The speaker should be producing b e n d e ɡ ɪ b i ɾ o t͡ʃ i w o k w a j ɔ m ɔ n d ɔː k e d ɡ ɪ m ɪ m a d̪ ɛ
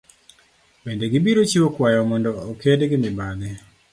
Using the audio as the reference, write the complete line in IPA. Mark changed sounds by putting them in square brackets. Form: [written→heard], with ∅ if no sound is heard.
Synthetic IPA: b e n d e ɡ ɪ b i ɾ o t͡ʃ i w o k w a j ɔ m ɔ n d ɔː k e d ɡ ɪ m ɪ [m→b] a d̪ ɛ